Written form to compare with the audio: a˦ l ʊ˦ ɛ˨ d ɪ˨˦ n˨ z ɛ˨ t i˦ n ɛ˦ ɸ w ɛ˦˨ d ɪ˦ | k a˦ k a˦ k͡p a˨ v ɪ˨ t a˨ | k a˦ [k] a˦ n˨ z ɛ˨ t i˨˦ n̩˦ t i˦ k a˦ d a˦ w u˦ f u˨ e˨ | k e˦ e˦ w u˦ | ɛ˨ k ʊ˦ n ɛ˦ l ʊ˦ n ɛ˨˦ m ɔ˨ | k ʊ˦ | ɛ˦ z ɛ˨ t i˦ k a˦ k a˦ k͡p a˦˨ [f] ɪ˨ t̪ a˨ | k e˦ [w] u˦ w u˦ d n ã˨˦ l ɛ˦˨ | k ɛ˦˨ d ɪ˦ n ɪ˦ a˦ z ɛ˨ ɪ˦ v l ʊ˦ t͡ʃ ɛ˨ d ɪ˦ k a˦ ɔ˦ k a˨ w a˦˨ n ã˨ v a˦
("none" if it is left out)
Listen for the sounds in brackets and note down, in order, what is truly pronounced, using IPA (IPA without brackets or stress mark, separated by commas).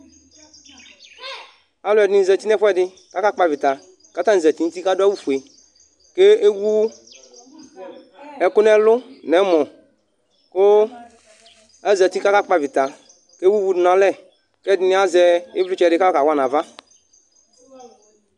t, v, w